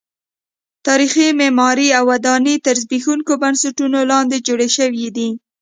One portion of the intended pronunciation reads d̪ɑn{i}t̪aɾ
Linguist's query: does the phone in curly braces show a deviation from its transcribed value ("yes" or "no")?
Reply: no